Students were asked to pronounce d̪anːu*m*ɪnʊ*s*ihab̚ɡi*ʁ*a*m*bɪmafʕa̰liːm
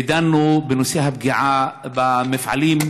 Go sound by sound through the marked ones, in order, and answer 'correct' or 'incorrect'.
incorrect, correct, incorrect, incorrect

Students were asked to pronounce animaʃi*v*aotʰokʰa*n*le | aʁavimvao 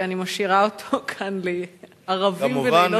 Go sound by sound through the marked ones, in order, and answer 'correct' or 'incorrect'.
incorrect, correct

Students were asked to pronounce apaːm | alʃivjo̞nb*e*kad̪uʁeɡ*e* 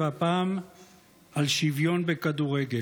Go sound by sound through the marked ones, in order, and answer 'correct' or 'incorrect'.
correct, correct

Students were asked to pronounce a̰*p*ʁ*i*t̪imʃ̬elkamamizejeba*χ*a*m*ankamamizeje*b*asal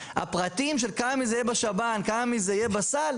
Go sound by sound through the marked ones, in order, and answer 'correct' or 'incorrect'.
correct, incorrect, incorrect, incorrect, correct

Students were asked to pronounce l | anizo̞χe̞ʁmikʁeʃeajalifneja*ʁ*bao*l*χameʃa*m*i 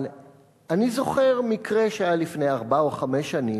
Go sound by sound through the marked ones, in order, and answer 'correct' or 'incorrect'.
correct, incorrect, incorrect

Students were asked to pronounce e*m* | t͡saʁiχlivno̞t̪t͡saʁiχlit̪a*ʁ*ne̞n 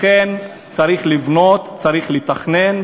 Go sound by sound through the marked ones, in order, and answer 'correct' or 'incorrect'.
incorrect, incorrect

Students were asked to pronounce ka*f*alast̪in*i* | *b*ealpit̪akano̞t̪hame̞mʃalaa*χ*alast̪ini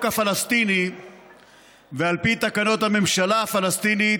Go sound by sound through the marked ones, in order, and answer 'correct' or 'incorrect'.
correct, correct, incorrect, incorrect

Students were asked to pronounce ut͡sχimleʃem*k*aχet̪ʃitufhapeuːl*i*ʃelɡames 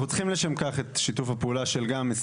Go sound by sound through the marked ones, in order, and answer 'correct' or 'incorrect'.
correct, incorrect

